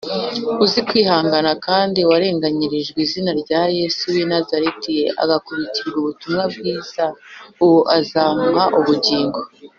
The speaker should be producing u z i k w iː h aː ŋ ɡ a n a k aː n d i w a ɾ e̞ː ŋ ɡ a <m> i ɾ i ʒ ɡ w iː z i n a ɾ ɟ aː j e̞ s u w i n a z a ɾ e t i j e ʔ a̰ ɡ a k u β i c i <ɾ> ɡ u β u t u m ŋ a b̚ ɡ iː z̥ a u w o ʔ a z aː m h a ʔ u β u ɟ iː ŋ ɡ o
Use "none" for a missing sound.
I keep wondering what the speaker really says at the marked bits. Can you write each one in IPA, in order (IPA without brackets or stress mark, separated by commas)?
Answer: ɲ, ɾ